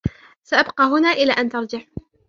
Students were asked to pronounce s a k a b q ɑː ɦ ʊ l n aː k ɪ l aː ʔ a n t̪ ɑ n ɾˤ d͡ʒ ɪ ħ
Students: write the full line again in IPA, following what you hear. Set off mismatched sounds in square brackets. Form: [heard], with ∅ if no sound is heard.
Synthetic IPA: s a [ʔ] a b q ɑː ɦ ʊ [∅] n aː [ʔ] ɪ l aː ʔ a n t̪ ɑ [∅] ɾˤ d͡ʒ ɪ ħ